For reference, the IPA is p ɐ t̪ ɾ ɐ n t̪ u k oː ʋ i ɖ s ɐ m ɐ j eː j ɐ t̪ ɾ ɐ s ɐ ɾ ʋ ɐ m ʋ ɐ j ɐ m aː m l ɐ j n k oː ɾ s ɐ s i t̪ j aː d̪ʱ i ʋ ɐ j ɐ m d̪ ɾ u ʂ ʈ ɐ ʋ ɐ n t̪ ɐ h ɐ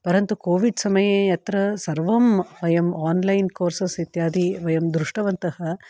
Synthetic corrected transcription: p ɐ ɾ ɐ n t̪ u k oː ʋ i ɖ s ɐ m ɐ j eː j ɐ t̪ ɾ ɐ s ɐ ɾ ʋ ɐ m ʋ ɐ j ɐ m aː n l ɐ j n k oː ɾ s ɐ s i t̪ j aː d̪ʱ i ʋ ɐ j ɐ m d̪ ɾ u ʂ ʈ ɐ ʋ ɐ n t̪ ɐ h ɐ